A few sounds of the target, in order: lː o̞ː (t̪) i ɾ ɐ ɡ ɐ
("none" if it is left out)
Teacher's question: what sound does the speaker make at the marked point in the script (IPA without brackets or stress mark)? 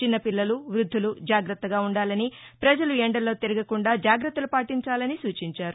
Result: t̪